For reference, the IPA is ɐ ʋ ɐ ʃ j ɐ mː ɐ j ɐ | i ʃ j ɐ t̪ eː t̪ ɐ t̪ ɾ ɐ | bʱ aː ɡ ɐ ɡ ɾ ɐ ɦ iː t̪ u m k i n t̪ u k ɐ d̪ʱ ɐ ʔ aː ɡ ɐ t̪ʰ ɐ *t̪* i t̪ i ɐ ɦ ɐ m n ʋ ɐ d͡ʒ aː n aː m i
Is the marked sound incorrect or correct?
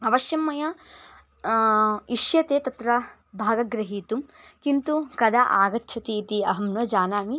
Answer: correct